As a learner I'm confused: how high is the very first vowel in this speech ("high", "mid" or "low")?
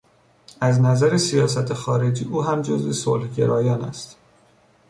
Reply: low